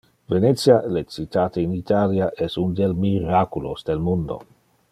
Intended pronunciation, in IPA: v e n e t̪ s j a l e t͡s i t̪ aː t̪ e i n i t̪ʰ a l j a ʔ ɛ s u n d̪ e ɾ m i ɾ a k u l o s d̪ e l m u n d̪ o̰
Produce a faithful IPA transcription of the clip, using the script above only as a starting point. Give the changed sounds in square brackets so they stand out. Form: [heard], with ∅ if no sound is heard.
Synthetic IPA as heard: v e n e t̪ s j a l e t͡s i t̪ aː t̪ e i n i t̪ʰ a l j a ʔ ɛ s u n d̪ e [l] m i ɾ a k u l o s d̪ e l m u n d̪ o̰

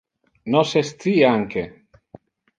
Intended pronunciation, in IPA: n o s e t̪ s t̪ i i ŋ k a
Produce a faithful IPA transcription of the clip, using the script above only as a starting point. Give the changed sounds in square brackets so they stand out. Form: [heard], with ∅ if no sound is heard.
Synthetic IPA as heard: n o s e [∅] s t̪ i [a] ŋ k [e]

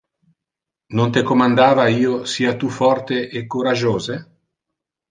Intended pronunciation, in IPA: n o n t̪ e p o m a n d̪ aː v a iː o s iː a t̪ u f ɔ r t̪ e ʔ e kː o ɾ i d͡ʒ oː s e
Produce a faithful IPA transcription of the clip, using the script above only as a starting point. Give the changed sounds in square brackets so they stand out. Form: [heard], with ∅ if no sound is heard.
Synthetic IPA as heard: n o n t̪ e [k] o m a n d̪ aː v a iː o s iː a t̪ u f ɔ r t̪ e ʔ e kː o ɾ [a] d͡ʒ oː [z] e

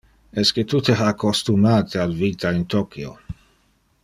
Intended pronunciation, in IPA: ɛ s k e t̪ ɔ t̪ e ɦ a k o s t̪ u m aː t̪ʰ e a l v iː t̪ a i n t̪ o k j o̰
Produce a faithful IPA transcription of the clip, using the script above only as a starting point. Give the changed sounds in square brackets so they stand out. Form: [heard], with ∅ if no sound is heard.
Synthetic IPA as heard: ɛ s k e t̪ [u] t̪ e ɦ a k o s t̪ u m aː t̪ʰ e a l v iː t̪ a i n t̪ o k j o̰

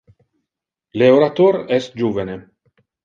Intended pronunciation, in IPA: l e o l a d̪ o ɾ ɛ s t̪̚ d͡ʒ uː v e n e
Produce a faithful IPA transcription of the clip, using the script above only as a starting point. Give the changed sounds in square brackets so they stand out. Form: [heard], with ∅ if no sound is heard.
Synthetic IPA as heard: l e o [ɾ] a [t̪] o ɾ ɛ s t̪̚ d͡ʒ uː v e n e

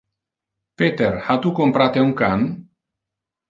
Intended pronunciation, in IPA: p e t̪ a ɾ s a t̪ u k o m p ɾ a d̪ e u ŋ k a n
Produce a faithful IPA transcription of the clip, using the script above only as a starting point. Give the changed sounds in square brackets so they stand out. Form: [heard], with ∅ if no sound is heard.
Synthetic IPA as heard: p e t̪ [e] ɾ [h] a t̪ u k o m p ɾ a [t̪] e u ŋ k a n

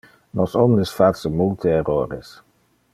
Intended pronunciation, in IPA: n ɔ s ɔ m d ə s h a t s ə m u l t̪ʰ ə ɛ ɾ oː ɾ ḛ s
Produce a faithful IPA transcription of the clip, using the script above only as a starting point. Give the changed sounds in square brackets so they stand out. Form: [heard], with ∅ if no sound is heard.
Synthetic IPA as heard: n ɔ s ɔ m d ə s [f] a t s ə m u l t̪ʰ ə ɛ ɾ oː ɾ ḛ s

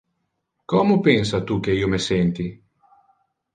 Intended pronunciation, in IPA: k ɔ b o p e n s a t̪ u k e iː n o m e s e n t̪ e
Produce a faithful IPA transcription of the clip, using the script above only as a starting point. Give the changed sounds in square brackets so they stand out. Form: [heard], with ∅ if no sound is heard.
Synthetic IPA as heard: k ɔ [m] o p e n s a t̪ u k e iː [∅] o m e s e n t̪ [i]

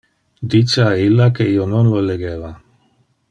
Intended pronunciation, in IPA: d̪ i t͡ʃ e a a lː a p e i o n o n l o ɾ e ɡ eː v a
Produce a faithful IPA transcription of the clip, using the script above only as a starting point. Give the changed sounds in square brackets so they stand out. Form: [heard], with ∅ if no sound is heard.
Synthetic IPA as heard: d̪ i t͡ʃ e a [i] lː a [k] e i o n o n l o [l] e ɡ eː v a

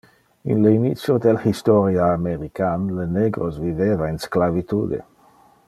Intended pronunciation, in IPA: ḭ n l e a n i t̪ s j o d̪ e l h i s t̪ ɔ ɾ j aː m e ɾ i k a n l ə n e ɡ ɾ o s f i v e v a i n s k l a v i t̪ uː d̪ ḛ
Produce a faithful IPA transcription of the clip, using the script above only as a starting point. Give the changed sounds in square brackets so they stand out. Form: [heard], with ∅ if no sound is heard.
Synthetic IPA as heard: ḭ n l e [i] n i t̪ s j o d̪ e l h i s t̪ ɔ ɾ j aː m e ɾ i k a n l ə n e ɡ ɾ o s [v] i v e v a i n s k l a v i t̪ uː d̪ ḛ

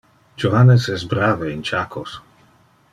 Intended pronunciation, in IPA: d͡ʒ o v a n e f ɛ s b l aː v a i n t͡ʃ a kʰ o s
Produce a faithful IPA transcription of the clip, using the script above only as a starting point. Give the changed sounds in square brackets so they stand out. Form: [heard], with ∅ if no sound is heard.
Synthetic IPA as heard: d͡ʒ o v a n e [s] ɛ s b [ɾ] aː v [e] i n t͡ʃ a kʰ o s

